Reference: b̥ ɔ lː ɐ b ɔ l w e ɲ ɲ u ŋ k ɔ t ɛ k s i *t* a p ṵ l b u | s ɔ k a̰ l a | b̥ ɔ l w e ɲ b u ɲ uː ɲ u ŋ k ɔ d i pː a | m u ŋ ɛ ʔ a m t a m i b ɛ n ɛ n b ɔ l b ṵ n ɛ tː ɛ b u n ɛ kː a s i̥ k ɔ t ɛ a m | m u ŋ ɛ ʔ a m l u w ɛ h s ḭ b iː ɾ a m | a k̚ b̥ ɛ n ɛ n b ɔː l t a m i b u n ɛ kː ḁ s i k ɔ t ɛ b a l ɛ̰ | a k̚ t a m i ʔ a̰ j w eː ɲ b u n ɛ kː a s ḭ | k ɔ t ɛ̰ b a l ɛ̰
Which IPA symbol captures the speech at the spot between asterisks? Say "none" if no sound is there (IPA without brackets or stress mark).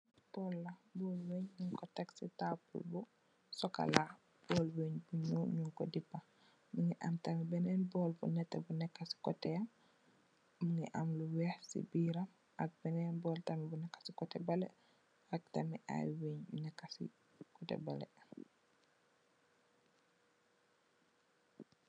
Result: t